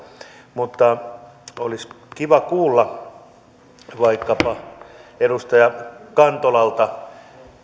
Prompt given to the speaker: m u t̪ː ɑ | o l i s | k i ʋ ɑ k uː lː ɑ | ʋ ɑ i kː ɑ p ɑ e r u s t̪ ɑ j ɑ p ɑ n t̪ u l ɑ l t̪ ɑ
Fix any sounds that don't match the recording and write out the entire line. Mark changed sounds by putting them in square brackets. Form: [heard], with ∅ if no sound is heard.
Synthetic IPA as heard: m u t̪ː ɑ | o l i s | k i ʋ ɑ k uː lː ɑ | ʋ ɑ i kː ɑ p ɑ e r u s t̪ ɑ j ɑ [k] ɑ n t̪ [o] l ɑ l t̪ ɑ